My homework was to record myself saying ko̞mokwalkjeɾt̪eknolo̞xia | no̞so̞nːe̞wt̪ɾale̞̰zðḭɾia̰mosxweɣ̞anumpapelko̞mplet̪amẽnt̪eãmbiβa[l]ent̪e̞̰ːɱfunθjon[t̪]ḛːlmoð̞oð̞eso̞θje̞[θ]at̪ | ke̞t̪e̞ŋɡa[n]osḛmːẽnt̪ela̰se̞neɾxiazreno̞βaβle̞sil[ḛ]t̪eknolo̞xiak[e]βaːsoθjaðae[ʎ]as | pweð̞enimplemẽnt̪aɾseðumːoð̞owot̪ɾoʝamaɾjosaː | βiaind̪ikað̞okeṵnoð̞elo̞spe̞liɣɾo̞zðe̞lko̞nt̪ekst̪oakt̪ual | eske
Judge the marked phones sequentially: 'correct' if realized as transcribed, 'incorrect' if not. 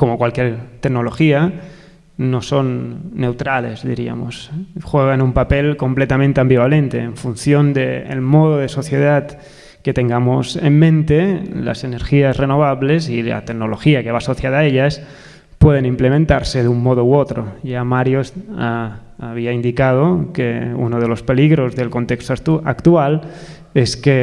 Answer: correct, incorrect: d̪, incorrect: ð, incorrect: m, incorrect: a̰, correct, correct

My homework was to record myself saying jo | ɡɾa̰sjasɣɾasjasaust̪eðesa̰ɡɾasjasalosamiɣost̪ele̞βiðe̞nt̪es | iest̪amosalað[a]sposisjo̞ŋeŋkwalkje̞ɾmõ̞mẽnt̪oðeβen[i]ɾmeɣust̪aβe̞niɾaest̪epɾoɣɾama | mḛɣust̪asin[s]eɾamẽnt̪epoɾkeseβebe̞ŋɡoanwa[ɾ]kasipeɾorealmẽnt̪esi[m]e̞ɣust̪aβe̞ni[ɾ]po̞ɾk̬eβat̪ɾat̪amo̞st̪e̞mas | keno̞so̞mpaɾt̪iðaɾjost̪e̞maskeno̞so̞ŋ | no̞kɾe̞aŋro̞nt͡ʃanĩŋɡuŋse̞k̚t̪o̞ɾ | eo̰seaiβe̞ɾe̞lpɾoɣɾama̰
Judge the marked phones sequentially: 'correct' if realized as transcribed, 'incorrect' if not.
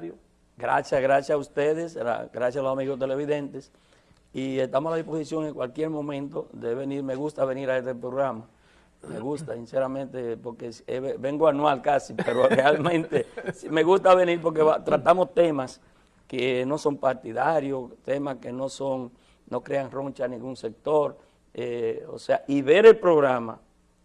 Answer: incorrect: i, correct, correct, incorrect: l, correct, correct

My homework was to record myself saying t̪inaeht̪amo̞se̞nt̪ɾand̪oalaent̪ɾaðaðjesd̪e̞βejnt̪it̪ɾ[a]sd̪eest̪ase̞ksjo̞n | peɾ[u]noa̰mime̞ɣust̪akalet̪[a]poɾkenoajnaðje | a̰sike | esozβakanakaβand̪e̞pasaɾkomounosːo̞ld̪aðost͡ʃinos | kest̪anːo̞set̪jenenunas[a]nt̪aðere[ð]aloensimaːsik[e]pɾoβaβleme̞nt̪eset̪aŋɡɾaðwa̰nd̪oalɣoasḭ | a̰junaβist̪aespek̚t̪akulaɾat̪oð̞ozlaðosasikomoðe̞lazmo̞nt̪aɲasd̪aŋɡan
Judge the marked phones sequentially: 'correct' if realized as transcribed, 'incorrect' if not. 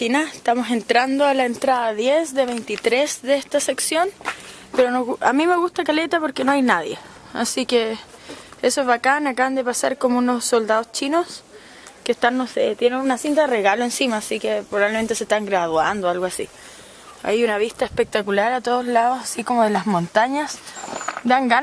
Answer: incorrect: e, incorrect: o, correct, incorrect: i, incorrect: ɣ, correct

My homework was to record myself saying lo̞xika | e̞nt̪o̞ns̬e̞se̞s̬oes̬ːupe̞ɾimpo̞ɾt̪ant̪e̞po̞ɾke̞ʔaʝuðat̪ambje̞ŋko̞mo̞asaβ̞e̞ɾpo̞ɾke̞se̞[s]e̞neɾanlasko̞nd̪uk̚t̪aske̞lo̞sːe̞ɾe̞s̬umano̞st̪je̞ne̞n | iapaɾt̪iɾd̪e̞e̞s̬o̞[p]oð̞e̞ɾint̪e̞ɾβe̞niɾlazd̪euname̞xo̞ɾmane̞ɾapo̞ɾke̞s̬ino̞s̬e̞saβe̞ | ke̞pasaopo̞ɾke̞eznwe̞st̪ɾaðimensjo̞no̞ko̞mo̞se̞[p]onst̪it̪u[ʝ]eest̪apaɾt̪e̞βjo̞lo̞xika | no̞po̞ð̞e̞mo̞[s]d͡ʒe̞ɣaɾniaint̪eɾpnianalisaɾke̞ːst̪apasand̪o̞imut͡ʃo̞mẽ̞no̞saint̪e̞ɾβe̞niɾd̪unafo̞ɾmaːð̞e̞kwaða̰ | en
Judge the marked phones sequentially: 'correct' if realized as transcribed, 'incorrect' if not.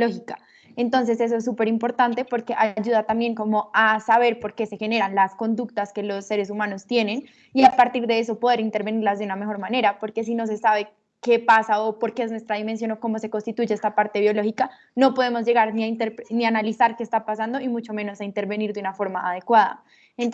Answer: incorrect: x, correct, incorrect: k, correct, incorrect: z

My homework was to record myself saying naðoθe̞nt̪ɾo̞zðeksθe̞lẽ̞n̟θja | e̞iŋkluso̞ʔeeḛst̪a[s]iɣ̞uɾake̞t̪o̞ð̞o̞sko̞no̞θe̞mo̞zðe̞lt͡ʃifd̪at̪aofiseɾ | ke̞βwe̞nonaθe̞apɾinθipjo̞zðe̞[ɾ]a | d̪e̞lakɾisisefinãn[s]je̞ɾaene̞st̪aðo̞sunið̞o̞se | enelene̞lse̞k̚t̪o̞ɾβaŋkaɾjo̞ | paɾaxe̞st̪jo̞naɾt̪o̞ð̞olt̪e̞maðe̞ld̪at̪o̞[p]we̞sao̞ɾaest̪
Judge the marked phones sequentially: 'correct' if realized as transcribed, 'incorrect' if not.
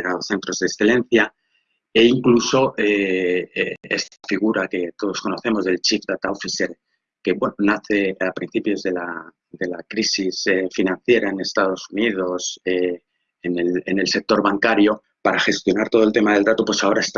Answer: incorrect: f, incorrect: l, incorrect: θ, correct

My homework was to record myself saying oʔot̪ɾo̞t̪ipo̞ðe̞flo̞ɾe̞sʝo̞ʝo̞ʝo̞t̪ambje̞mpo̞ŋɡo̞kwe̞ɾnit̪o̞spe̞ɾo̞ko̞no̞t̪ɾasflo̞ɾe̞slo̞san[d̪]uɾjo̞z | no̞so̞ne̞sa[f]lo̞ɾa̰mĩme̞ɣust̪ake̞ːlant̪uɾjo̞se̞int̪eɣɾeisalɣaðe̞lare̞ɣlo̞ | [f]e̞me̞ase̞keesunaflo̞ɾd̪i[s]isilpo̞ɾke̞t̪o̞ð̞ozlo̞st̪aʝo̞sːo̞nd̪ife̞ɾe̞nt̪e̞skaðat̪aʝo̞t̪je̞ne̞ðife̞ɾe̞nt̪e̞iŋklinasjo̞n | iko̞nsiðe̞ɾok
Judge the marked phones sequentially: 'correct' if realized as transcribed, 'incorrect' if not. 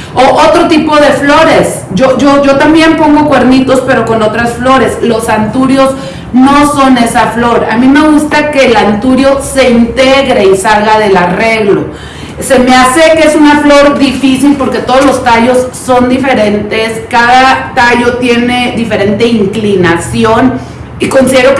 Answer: incorrect: t̪, correct, incorrect: s, incorrect: f

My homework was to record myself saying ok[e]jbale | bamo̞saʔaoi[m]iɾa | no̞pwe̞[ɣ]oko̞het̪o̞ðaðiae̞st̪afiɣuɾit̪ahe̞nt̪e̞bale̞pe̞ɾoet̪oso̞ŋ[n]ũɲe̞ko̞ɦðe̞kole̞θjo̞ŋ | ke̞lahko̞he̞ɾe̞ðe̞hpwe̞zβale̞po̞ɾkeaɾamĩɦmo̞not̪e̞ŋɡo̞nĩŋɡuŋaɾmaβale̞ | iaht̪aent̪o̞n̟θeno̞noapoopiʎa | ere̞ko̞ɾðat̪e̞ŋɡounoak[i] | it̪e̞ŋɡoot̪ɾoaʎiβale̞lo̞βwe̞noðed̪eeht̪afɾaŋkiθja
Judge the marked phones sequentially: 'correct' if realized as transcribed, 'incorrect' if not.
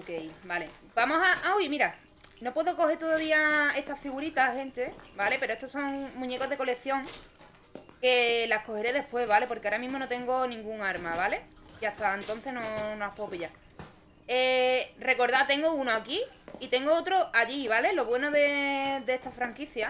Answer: correct, correct, incorrect: ð, incorrect: m, correct

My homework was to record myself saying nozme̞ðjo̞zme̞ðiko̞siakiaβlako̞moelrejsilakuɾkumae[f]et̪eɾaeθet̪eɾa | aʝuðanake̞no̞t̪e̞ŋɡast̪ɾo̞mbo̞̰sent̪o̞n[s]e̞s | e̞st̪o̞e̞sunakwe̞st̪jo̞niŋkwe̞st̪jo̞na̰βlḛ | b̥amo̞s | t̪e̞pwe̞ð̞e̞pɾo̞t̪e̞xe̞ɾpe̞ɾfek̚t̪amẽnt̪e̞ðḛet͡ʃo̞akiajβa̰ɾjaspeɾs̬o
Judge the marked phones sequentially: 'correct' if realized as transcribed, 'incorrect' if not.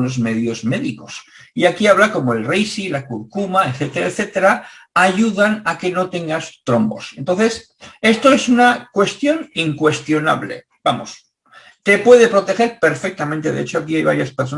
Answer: incorrect: θ, incorrect: θ

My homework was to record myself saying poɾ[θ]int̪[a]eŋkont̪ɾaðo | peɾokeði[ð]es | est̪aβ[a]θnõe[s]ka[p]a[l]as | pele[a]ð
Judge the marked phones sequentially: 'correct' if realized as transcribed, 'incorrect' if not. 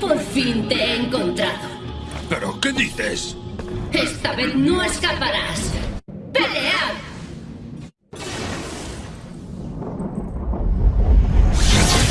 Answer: incorrect: f, incorrect: e, incorrect: θ, incorrect: e, correct, correct, incorrect: ɾ, correct

